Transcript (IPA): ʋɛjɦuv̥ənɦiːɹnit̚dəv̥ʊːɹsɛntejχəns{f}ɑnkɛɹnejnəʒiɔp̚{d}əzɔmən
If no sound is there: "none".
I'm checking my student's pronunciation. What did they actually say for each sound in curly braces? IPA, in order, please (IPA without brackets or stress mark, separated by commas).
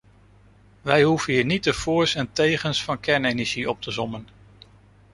f, t